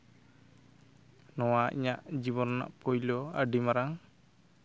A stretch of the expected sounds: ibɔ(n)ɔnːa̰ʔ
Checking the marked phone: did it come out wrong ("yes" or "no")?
no